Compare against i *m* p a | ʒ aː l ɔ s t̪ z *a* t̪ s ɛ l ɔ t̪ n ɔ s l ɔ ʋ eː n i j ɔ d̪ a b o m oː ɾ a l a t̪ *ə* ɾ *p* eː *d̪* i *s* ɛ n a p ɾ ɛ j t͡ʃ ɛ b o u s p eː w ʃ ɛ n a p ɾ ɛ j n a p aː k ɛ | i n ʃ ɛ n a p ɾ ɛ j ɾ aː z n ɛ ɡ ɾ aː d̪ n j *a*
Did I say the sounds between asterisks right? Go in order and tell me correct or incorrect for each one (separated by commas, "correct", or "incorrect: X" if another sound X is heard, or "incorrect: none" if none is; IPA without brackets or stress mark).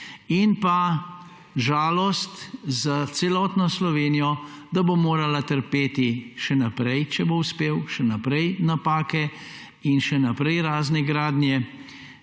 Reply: incorrect: n, correct, correct, correct, incorrect: t̪, incorrect: ʃ, incorrect: ɛ